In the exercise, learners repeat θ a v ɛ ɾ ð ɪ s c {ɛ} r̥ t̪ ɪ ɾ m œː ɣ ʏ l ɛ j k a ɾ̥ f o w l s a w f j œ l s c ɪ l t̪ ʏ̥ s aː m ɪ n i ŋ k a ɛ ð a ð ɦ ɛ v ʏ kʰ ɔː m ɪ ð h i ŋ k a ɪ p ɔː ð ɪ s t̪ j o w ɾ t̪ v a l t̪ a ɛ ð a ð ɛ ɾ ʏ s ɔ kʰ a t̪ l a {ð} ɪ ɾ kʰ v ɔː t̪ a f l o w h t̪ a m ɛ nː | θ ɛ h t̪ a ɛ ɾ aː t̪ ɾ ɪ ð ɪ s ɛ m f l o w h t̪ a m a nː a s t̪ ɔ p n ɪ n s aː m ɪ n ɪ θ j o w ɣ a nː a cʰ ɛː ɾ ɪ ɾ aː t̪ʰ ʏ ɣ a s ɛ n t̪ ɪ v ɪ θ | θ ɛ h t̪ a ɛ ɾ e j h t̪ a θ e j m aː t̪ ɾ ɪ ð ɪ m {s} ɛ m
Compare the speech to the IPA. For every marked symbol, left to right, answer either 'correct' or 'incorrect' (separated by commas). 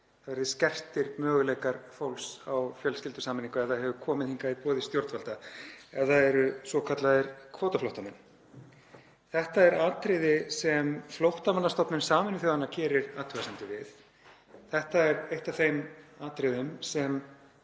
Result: correct, correct, correct